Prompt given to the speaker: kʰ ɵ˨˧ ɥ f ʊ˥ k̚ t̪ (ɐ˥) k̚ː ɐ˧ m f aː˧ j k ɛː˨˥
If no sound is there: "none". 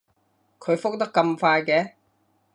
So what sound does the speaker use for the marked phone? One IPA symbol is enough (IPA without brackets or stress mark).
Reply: ɐ˥